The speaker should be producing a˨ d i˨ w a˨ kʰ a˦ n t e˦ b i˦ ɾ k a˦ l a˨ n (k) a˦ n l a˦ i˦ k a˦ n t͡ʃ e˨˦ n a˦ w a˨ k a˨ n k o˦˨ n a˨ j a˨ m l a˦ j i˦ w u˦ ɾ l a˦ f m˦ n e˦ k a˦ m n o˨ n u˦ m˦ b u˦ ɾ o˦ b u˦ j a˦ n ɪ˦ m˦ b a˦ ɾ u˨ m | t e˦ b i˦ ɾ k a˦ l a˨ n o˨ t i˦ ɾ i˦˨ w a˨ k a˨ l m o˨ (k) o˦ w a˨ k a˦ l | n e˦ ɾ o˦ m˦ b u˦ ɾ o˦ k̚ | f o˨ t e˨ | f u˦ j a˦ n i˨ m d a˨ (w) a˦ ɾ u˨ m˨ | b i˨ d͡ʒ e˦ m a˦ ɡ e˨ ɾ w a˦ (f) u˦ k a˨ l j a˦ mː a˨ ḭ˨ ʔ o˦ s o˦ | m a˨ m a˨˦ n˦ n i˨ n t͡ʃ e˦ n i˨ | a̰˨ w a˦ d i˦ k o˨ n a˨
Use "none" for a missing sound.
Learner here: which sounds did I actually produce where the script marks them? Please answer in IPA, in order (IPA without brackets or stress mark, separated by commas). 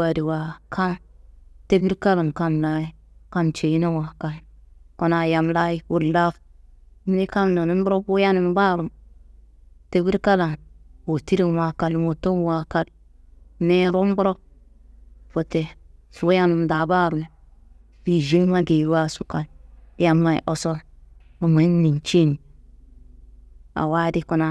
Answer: k, t, b, s